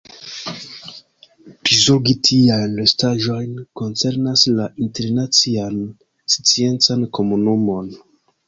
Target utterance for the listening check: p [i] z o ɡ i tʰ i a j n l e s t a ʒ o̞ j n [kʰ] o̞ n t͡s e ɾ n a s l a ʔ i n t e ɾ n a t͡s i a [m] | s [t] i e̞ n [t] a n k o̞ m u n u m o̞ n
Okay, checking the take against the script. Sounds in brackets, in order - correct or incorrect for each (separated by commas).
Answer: correct, incorrect, incorrect, incorrect, incorrect